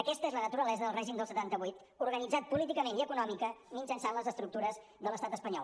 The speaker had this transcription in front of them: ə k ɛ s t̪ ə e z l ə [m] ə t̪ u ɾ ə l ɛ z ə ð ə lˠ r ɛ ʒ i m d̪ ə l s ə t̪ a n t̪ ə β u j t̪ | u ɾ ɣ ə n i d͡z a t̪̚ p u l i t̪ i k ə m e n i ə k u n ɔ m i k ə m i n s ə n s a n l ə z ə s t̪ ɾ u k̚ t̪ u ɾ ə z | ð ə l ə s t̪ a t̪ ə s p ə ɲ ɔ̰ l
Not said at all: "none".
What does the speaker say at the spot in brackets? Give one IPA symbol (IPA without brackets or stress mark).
n